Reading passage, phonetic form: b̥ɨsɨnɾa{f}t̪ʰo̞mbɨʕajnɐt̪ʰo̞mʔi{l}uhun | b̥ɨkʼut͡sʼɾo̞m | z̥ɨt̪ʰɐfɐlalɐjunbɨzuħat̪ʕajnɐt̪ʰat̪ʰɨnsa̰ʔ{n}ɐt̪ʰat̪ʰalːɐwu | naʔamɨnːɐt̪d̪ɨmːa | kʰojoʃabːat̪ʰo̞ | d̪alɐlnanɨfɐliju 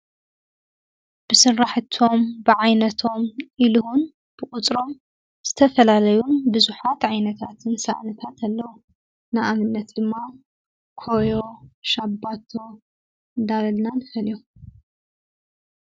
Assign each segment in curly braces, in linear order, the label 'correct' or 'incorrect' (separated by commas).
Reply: incorrect, correct, correct